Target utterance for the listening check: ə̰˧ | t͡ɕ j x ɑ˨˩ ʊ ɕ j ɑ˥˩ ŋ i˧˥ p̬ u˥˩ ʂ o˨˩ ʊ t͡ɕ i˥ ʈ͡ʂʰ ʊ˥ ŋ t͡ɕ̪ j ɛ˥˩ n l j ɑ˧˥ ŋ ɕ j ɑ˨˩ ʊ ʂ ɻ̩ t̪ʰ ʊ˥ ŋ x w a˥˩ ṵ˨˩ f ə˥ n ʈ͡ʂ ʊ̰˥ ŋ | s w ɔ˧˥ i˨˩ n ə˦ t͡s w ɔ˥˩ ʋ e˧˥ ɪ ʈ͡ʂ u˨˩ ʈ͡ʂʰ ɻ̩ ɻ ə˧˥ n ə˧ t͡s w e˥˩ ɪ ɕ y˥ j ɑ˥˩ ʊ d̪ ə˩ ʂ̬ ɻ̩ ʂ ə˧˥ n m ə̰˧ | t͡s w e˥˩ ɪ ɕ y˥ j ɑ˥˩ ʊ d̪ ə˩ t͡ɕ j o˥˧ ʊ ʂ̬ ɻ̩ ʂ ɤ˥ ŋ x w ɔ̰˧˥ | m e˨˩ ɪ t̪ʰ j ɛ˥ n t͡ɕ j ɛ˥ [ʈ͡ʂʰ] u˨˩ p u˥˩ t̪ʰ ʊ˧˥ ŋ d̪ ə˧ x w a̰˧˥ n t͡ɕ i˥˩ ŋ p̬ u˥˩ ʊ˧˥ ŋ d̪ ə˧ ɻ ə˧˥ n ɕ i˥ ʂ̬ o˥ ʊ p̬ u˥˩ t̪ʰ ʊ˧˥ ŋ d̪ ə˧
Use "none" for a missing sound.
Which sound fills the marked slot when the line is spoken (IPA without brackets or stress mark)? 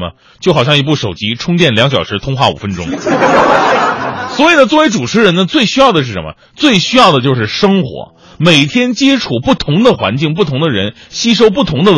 ʈ͡ʂʰ